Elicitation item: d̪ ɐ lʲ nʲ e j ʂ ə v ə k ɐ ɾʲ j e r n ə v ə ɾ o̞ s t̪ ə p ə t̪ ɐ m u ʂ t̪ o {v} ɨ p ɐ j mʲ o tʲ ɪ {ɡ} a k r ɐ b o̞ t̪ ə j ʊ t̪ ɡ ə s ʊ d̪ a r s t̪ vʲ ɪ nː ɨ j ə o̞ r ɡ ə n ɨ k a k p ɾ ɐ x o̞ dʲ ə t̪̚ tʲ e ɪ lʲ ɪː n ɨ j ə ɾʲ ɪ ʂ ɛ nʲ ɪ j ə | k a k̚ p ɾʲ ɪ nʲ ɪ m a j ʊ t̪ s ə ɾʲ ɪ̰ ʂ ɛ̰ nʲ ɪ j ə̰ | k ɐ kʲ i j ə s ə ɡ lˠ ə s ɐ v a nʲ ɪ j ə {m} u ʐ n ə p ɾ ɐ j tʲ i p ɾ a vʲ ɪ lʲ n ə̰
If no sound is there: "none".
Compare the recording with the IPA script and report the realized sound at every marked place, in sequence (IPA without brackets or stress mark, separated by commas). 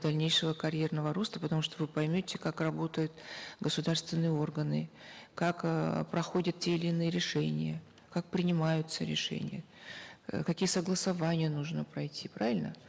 v, k, n